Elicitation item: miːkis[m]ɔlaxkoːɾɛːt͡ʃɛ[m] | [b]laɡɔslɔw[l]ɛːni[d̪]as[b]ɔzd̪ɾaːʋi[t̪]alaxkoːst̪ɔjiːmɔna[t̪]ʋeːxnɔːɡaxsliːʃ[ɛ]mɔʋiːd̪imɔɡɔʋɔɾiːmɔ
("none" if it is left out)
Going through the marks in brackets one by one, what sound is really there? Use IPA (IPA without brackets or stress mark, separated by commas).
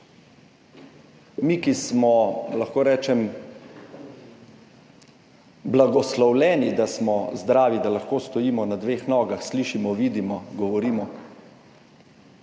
m, m, b, l, d̪, m, d̪, d̪, i